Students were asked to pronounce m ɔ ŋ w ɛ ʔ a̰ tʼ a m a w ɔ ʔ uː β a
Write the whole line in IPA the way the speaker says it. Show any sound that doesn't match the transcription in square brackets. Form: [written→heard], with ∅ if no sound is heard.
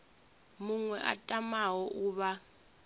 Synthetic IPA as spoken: m [ɔ→u] ŋ w ɛ ʔ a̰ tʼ a m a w ɔ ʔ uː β a